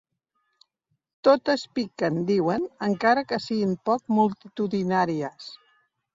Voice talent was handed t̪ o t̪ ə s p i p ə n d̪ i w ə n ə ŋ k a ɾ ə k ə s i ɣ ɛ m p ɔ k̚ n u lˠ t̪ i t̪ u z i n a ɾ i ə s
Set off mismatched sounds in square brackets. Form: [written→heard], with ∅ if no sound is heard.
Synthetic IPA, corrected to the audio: t̪ o t̪ ə s p i [p→k] ə n d̪ i w ə n ə ŋ k a ɾ ə k ə s i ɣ [ɛ→i] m p ɔ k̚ [n→m] u lˠ t̪ i t̪ u [z→ð] i n a ɾ i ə s

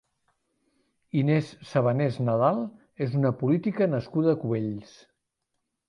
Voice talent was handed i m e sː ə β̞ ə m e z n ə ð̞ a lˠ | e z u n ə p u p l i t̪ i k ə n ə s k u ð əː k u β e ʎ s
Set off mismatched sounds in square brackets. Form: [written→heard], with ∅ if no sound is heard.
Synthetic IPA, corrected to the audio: i [m→n] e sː ə β̞ ə [m→n] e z n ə ð̞ a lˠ | e z u n ə p u [p→∅] l i t̪ i k ə n ə s k u ð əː k u β e ʎ s

